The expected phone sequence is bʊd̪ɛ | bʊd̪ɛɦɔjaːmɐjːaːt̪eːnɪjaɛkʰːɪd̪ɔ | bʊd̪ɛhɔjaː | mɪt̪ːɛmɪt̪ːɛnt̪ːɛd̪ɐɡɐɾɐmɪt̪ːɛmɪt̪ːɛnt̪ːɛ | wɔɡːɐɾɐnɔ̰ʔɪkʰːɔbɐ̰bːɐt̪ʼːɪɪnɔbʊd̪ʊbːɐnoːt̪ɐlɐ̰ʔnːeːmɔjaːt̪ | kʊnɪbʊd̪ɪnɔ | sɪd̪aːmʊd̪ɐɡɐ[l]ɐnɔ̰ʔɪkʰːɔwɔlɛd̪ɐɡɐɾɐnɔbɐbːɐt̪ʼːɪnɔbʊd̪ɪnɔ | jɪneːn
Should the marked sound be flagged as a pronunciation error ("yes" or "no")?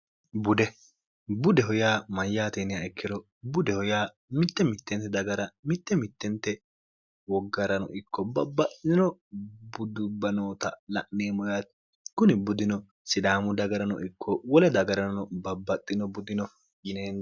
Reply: yes